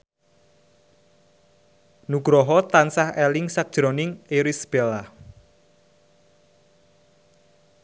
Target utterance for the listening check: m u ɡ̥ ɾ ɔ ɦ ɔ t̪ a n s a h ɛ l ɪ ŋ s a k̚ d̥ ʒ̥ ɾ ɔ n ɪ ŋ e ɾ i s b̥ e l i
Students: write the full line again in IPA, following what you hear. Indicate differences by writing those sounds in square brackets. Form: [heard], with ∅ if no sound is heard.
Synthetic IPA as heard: [n] u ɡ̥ ɾ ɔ ɦ ɔ t̪ a n s a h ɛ l ɪ ŋ s a k̚ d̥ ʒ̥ ɾ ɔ n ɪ ŋ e ɾ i s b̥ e l [a]